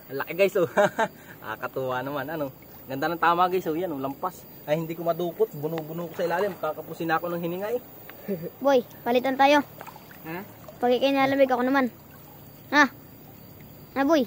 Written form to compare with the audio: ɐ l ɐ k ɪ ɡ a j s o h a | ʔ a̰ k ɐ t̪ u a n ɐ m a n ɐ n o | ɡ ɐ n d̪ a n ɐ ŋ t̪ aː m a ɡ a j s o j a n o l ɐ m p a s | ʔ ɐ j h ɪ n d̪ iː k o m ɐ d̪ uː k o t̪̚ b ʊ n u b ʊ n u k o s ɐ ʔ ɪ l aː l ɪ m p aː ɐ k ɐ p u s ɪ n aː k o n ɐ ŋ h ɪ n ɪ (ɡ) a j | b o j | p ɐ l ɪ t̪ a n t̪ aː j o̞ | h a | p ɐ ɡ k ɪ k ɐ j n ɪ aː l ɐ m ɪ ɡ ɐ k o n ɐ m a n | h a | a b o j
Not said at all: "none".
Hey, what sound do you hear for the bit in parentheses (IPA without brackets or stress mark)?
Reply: ŋ